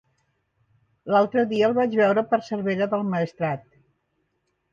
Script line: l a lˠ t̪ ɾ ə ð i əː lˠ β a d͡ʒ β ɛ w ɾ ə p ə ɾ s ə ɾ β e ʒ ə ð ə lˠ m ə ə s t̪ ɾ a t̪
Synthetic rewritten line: l a lˠ t̪ ɾ ə ð i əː lˠ β a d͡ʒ β ɛ w ɾ ə p ə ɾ s ə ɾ β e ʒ ə ð ə lˠ m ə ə s t̪ ɾ a t̪